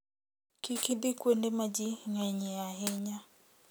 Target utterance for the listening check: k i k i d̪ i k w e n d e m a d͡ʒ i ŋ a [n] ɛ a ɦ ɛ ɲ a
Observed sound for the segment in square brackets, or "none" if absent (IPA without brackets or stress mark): ɲ